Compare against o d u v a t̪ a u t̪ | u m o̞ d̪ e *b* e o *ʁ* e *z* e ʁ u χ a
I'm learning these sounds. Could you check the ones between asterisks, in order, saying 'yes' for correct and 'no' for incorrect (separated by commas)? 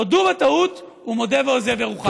no, no, no